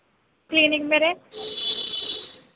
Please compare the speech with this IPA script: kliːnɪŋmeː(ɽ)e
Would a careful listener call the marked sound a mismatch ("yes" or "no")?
yes